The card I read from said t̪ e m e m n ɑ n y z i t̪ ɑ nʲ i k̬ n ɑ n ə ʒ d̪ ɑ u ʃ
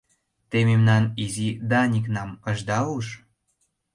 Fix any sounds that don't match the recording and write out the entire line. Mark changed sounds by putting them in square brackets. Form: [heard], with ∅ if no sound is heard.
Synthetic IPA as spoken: t̪ e m e m n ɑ n [i] z i [d̪] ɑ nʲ i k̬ n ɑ [m] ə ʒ d̪ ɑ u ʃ